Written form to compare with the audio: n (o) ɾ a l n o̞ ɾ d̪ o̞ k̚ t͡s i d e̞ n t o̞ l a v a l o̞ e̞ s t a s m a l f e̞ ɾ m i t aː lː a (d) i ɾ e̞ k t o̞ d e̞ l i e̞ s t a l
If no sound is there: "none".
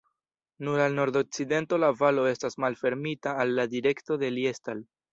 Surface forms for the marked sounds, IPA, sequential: u, d

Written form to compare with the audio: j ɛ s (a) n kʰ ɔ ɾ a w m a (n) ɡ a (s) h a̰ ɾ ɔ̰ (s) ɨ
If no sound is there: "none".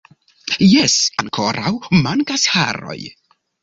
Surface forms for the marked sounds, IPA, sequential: a, n, s, none

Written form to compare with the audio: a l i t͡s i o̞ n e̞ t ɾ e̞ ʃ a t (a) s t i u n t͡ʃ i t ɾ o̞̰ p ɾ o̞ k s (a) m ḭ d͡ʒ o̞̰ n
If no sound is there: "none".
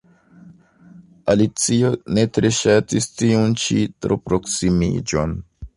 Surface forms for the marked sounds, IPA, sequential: i, i

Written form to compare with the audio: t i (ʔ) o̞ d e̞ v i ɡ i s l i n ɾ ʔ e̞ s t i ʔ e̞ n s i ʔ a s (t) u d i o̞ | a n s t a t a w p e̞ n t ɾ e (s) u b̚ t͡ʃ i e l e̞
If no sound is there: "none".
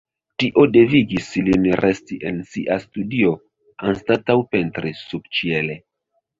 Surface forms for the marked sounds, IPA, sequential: ʔ, t, s

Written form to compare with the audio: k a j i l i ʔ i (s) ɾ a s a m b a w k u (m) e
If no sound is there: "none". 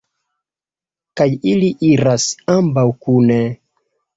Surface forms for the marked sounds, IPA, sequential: none, n

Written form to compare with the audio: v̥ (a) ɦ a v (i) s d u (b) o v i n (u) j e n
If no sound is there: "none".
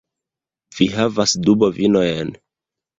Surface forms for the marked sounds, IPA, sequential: i, a, b, o

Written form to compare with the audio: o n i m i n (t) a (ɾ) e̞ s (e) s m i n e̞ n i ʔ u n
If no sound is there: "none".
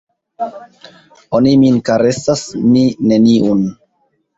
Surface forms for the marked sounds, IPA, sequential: k, ɾ, a

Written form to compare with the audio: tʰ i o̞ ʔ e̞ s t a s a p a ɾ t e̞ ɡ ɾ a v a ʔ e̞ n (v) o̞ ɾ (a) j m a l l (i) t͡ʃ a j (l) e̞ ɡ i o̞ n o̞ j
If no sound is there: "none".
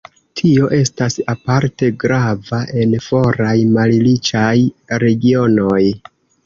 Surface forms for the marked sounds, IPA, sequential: f, a, i, ɾ

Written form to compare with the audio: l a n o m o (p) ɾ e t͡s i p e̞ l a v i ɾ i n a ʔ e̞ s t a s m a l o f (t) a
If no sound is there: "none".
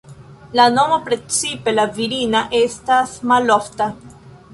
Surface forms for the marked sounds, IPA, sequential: p, t

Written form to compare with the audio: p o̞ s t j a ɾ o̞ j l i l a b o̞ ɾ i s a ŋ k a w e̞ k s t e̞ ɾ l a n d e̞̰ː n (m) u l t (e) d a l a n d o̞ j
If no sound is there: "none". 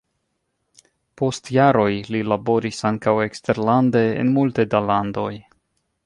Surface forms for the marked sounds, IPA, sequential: m, e

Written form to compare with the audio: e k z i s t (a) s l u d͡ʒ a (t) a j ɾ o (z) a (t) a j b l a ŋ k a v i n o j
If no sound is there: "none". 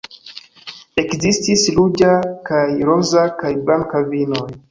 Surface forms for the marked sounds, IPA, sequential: i, k, z, k

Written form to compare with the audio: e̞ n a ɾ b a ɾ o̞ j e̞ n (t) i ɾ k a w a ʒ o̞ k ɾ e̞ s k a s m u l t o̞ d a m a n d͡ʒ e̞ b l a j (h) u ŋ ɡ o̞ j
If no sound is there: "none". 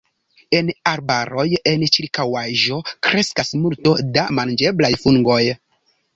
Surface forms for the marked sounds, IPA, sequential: t͡ʃ, f

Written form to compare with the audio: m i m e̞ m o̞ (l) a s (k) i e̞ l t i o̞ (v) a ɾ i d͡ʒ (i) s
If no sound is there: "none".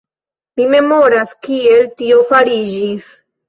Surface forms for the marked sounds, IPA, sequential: ɾ, k, f, i

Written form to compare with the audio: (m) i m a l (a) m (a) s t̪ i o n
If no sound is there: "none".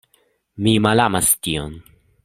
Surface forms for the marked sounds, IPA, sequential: m, a, a

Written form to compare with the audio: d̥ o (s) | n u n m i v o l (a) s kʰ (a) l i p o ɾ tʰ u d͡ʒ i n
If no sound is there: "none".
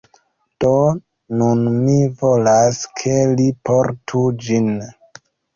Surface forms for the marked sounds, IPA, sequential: none, a, e

